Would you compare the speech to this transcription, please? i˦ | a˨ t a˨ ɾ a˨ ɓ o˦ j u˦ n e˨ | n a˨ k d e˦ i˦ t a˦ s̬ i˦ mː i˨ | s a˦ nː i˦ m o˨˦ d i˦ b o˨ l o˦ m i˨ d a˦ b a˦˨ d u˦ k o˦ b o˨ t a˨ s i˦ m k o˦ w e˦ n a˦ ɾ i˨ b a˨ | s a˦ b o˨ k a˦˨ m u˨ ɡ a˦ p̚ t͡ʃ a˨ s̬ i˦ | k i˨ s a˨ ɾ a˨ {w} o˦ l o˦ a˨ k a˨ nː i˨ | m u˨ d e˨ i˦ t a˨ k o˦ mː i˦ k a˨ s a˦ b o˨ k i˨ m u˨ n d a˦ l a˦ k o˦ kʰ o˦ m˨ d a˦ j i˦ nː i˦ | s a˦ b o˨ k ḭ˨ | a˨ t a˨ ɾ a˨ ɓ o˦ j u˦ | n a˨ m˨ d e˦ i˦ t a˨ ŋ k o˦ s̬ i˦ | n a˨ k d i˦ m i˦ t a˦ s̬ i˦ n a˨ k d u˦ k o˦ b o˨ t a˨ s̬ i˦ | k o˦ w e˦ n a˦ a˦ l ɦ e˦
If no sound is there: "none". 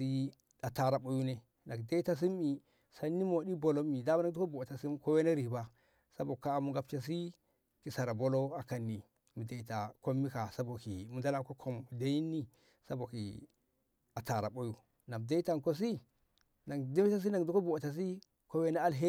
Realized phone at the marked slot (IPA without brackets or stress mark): b